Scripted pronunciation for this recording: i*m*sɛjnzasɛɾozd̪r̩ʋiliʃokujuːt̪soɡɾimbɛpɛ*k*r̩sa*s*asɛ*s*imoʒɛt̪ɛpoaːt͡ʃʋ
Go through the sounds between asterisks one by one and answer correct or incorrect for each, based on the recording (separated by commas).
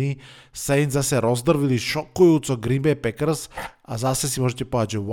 incorrect, correct, incorrect, correct